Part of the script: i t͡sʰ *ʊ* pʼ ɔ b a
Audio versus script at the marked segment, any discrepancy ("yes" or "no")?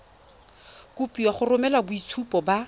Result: yes